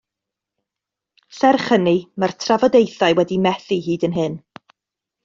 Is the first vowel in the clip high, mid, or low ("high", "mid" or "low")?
mid